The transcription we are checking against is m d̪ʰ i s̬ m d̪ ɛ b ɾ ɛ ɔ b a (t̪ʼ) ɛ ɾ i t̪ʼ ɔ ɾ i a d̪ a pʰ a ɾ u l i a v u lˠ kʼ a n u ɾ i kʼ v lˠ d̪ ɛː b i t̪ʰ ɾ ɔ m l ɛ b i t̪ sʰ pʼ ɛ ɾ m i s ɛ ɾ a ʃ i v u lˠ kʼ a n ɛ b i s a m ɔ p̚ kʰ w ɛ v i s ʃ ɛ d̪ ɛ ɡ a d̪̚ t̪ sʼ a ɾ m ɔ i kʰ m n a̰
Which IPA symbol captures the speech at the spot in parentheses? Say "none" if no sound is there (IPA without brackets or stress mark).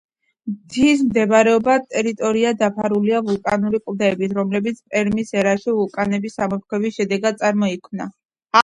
t̪ʼ